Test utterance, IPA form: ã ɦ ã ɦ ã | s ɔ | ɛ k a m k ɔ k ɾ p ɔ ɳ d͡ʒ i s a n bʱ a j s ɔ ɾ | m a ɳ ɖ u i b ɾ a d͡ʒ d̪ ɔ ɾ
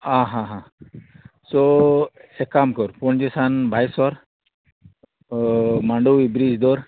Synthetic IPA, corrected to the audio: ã ɦ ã ɦ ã | s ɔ | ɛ k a m k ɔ ɾ p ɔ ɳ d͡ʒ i s a n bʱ a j s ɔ ɾ | m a ɳ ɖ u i b ɾ i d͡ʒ d̪ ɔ ɾ